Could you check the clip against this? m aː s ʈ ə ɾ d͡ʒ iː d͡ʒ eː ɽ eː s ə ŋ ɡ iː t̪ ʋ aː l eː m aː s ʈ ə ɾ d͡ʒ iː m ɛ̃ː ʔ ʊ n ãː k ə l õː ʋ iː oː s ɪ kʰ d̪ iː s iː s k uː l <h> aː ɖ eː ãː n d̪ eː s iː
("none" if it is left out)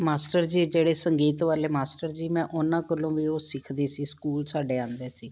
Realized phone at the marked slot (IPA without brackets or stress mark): s